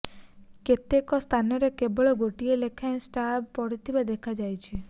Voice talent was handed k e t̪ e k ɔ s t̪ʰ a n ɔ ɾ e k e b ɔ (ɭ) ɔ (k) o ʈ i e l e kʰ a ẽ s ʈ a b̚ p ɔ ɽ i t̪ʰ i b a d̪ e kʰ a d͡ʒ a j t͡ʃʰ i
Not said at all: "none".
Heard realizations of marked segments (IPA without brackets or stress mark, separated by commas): ɭ, ɡ